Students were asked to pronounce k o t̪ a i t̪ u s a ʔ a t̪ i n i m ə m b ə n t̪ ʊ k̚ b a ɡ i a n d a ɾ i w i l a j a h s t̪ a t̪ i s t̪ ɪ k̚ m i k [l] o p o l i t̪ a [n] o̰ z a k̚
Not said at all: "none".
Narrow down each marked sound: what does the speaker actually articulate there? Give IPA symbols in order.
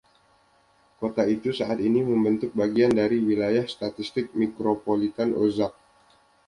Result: ɾ, n

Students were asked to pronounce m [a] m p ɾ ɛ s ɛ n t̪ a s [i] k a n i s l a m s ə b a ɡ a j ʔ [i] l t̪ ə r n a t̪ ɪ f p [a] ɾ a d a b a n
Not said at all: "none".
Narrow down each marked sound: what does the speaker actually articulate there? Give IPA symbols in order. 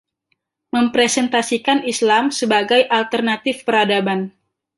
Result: ə, i, a, ə

